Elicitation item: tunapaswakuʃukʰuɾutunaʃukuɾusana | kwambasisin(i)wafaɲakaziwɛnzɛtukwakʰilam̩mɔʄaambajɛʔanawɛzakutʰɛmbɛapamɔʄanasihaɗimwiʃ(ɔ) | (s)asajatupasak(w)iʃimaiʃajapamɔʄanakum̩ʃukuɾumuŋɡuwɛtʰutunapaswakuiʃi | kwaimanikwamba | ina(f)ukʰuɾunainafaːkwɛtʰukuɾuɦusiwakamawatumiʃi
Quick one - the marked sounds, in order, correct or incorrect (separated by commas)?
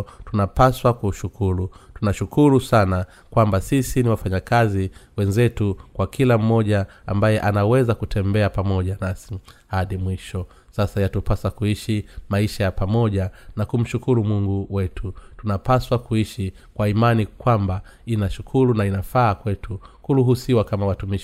correct, correct, correct, incorrect, incorrect